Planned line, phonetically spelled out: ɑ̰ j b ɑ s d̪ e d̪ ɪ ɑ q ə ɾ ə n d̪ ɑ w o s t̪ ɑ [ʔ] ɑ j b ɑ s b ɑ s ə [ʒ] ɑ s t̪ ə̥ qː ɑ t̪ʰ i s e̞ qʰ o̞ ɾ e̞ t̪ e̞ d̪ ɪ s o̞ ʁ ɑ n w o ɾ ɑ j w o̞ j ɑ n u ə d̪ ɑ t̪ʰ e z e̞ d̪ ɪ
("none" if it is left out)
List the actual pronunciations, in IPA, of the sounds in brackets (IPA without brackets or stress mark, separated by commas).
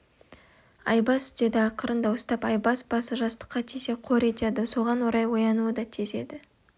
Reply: p, ʒ